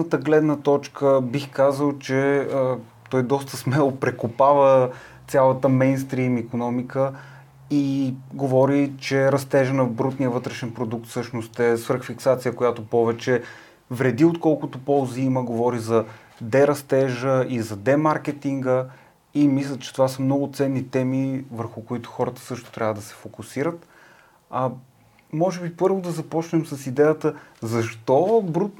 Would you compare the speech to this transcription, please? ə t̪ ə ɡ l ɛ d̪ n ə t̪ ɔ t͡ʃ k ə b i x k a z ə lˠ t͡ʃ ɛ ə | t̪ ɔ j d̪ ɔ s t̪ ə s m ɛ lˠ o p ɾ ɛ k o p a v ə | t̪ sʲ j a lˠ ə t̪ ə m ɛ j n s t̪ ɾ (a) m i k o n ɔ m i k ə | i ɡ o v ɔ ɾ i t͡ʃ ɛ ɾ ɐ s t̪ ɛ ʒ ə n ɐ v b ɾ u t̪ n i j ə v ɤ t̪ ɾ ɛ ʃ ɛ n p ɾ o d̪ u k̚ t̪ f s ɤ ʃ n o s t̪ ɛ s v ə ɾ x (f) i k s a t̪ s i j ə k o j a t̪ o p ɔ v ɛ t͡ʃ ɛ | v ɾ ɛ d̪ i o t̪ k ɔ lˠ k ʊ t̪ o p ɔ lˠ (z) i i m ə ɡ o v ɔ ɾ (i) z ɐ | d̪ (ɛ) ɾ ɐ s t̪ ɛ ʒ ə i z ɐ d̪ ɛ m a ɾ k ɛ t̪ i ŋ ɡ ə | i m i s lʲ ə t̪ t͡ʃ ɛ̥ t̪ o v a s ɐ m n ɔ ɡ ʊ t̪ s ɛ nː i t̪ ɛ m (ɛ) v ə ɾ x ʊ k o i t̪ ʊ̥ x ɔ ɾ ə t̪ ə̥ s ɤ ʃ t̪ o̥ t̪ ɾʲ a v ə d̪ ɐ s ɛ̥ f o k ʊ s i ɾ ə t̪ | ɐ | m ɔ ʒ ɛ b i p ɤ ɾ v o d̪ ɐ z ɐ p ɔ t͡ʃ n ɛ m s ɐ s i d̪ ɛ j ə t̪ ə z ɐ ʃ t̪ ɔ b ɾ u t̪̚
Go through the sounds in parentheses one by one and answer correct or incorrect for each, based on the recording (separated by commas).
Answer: incorrect, correct, correct, correct, correct, incorrect